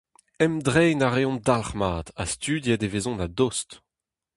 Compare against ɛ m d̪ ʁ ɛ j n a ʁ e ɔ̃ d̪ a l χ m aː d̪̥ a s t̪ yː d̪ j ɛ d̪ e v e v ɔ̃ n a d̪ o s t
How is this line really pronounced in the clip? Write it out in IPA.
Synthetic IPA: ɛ m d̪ ʁ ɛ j n a ʁ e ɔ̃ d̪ a l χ m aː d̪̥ a s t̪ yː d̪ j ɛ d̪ e v e z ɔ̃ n a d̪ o s t